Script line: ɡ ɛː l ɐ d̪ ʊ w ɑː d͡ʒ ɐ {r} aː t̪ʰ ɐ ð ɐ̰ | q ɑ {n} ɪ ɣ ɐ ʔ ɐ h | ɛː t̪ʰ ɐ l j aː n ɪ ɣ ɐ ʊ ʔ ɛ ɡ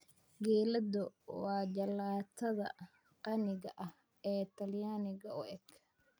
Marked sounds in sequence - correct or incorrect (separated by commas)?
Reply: incorrect, correct